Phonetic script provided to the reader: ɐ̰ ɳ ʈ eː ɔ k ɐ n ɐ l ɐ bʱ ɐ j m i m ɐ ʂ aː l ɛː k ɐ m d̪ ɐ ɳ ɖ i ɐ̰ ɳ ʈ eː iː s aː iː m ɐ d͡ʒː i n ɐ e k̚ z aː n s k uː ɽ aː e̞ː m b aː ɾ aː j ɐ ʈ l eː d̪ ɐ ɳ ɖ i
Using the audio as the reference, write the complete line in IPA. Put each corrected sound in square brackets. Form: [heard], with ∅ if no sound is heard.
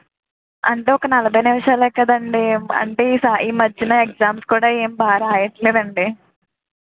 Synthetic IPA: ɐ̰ ɳ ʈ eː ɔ k ɐ n ɐ l ɐ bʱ ɐ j [n] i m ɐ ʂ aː l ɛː k ɐ [∅] d̪ ɐ ɳ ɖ i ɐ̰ ɳ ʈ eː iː s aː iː m ɐ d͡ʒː i n ɐ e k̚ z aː [m] s k uː ɽ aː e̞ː m b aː ɾ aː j ɐ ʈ l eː d̪ ɐ ɳ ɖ i